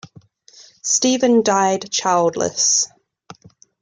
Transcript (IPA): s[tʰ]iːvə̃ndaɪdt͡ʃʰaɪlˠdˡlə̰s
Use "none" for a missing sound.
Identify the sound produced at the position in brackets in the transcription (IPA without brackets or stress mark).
t